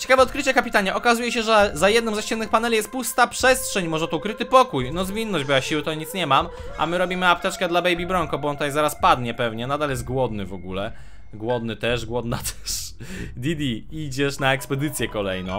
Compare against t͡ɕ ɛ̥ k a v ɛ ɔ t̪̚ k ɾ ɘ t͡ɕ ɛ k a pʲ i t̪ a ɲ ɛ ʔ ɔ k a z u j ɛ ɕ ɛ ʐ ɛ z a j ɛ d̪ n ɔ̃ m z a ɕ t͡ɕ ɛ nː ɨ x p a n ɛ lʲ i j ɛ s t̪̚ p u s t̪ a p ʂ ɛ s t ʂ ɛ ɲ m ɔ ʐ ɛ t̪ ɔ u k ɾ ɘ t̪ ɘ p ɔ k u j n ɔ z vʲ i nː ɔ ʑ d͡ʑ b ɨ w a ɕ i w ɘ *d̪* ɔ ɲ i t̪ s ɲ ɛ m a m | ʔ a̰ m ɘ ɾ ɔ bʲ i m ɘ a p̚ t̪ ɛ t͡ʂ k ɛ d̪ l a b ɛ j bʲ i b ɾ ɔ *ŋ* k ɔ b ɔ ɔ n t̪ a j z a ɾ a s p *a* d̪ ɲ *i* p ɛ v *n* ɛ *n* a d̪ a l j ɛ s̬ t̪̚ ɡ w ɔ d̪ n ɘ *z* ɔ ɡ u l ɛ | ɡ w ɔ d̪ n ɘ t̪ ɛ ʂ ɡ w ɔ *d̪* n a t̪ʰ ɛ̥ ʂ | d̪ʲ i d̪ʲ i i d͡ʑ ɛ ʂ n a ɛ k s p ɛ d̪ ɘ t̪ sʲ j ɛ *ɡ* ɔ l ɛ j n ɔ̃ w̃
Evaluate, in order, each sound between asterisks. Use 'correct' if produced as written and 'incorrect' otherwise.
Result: incorrect, correct, correct, incorrect, incorrect, correct, incorrect, correct, incorrect

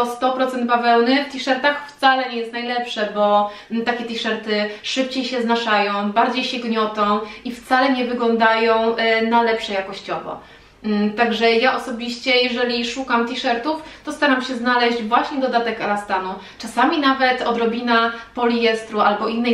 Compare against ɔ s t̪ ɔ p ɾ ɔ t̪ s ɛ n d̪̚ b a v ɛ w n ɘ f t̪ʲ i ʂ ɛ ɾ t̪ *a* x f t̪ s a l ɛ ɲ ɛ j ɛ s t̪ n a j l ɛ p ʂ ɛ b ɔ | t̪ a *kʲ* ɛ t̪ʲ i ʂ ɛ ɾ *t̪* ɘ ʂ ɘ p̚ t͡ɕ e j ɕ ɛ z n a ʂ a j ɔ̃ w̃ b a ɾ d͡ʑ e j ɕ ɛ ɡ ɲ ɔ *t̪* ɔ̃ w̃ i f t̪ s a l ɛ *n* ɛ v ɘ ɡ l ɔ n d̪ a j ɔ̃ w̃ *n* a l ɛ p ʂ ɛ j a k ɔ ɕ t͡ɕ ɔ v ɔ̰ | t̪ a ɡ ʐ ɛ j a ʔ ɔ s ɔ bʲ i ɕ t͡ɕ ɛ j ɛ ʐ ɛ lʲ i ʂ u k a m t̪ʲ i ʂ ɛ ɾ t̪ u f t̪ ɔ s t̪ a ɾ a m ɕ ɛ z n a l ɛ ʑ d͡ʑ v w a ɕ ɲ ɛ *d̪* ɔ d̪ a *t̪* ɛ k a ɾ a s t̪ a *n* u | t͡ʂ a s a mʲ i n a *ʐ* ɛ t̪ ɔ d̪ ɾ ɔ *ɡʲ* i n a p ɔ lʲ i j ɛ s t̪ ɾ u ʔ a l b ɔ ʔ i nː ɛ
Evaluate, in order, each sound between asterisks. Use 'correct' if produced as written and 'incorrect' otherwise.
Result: correct, correct, correct, correct, incorrect, correct, correct, correct, correct, incorrect, incorrect

